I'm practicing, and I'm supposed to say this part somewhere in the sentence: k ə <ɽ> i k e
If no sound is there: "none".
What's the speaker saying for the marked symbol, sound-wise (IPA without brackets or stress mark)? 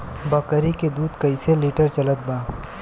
ɾ